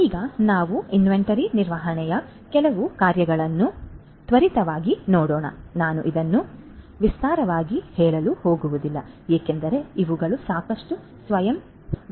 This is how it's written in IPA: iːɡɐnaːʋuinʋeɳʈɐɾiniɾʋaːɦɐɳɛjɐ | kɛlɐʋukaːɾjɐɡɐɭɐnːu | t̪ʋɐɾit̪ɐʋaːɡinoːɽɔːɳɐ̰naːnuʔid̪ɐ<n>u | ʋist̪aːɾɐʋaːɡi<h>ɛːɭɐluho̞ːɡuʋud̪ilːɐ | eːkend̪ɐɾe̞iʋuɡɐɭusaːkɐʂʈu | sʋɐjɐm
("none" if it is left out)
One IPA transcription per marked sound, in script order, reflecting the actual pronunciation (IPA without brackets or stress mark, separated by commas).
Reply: nː, h